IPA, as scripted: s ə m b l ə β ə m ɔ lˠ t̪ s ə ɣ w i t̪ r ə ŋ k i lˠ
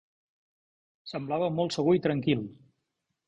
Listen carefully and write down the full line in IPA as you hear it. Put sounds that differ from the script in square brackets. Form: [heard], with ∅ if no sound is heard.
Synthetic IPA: s ə m b l [a] β ə m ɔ lˠ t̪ s ə ɣ [u] i t̪ [ɾ] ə ŋ k i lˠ